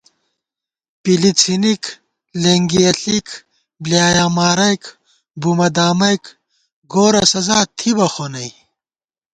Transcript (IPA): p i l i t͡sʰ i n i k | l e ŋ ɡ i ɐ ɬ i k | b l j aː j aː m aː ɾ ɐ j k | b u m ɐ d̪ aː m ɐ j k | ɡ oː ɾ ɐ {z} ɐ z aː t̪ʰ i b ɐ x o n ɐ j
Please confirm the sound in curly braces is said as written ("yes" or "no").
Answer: no